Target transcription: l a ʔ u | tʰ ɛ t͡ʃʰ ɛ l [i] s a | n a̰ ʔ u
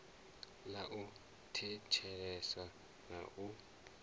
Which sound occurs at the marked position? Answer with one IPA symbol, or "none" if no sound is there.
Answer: ɛ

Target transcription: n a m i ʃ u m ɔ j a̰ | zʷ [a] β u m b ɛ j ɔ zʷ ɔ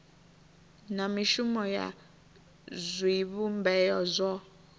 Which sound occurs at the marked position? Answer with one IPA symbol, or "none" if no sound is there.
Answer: i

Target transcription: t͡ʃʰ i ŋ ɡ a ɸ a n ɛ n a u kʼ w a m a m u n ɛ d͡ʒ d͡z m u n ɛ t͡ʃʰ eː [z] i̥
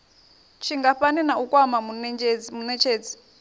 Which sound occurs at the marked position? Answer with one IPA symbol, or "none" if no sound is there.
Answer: d͡z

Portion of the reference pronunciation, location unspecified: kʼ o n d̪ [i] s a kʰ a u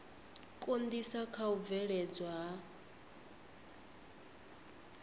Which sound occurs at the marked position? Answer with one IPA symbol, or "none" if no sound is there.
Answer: i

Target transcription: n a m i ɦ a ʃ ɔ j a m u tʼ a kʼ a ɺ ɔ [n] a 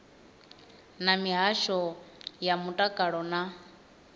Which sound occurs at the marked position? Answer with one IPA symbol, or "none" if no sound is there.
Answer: n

